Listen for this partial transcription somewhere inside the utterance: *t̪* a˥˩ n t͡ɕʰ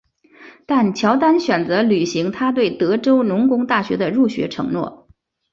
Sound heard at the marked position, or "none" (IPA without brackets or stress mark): t̪